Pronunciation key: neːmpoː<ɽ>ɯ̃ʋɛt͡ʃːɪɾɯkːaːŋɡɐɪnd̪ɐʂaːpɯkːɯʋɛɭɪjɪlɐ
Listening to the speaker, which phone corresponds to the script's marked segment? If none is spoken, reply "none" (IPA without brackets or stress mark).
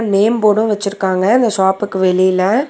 ɽ